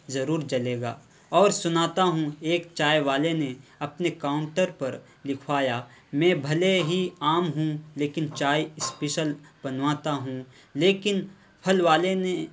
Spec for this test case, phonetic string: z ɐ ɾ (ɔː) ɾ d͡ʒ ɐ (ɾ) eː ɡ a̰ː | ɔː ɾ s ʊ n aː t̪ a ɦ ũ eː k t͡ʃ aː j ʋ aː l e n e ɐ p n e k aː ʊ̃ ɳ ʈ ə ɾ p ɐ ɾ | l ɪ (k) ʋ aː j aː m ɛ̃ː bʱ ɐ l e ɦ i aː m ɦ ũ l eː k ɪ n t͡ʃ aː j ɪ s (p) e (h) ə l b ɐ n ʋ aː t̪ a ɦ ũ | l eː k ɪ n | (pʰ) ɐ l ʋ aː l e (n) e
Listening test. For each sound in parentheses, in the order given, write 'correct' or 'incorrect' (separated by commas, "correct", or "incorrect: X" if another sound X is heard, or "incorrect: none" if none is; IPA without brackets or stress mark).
incorrect: uː, incorrect: l, incorrect: kʰ, correct, incorrect: ʃ, correct, correct